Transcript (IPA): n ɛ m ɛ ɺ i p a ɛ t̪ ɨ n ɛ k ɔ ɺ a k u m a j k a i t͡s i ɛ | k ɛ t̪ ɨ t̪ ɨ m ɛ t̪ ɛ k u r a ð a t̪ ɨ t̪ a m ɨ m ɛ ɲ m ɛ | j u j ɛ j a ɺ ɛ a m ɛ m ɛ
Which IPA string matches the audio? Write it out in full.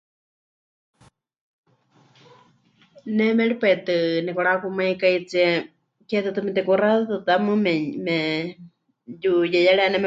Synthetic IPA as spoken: n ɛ m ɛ ɺ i p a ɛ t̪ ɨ n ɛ k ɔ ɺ a k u m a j k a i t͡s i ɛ | k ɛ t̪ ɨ t̪ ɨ m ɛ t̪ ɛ k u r a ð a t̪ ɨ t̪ a m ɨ m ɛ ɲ m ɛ | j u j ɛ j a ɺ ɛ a n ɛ m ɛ